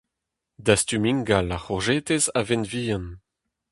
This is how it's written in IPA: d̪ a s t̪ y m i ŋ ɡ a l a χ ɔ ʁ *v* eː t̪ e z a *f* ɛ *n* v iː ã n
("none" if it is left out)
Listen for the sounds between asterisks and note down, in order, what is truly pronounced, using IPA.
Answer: ʒ, v, n

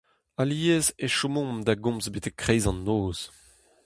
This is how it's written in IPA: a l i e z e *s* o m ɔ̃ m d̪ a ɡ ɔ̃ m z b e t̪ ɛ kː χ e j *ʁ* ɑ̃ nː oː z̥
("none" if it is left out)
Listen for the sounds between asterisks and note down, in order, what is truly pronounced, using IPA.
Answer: ʃ, z

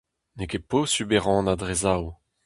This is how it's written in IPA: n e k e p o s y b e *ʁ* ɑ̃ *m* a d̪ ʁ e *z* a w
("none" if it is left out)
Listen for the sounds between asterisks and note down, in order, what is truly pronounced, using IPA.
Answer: ʁ, n, z

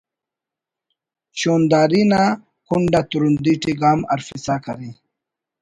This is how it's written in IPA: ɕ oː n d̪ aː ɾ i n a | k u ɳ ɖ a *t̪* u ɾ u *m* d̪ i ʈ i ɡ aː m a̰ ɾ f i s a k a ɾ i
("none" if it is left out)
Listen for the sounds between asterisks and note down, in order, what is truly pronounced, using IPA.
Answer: t̪, n

